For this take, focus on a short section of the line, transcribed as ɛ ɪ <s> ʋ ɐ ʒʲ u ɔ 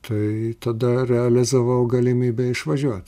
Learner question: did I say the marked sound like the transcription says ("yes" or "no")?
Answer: no